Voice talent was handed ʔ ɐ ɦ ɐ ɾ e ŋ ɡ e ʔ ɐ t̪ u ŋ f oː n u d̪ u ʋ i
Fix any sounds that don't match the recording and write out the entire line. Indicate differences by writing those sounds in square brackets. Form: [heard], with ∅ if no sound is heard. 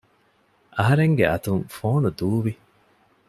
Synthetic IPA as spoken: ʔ ɐ ɦ ɐ ɾ e ŋ ɡ e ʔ ɐ t̪ u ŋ f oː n u d̪ [uː] ʋ i